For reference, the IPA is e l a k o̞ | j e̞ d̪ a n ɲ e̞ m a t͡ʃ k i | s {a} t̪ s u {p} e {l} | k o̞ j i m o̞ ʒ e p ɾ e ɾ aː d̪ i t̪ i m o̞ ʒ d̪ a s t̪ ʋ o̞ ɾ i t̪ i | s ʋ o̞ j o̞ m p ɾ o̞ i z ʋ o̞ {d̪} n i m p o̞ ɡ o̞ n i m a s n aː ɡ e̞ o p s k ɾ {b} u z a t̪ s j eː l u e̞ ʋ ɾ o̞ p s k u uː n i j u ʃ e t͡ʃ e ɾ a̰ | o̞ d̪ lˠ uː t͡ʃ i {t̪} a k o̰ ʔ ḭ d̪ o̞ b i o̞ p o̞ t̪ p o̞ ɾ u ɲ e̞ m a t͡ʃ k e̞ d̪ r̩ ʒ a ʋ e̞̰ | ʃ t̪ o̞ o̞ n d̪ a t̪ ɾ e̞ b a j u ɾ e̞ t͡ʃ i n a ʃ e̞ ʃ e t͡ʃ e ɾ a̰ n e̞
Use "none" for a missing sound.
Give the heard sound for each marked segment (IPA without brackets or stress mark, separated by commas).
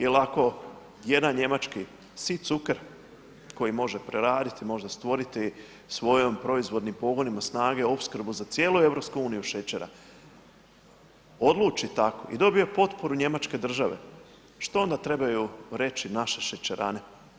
i, k, ɾ, d̪, b, t̪